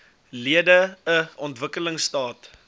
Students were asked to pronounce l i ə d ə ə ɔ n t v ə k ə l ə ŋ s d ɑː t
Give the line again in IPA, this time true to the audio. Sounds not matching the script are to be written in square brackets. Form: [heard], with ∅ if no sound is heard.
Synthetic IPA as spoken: l i ə d ə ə ɔ n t v ə k ə l ə ŋ s [t] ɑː t